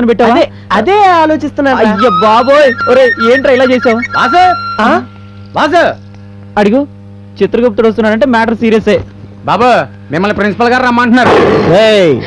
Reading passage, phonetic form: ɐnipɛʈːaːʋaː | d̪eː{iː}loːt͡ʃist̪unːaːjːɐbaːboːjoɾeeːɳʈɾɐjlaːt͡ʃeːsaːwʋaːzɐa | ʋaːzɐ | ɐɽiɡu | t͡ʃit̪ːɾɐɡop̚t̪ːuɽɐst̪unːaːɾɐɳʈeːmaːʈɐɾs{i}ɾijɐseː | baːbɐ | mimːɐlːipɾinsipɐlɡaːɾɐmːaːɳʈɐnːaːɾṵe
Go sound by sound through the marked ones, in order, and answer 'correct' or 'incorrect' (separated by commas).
incorrect, incorrect